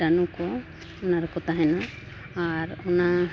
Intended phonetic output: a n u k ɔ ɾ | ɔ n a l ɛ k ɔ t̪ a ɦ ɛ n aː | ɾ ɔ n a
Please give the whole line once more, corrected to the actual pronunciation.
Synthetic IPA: a n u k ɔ | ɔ n a ɾ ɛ k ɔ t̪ a ɦ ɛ n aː | ɾ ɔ n a